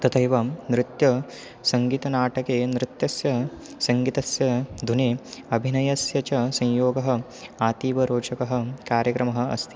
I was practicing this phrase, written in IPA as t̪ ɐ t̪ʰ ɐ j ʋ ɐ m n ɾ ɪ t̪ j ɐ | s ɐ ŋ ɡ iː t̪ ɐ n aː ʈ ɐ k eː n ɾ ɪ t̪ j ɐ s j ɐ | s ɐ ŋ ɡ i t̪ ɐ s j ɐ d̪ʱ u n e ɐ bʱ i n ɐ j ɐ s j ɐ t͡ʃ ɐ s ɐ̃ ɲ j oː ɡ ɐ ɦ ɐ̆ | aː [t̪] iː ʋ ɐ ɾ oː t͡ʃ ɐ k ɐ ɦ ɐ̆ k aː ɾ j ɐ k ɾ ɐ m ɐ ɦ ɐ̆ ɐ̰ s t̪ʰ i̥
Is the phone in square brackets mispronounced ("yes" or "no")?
no